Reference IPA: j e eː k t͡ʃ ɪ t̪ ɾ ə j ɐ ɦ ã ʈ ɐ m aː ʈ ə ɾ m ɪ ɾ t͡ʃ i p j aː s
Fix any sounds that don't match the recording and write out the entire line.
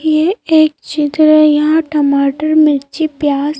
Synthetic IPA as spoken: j e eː k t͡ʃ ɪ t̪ ɾ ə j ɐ ɦ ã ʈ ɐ m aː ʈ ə ɾ m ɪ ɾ t͡ʃ i p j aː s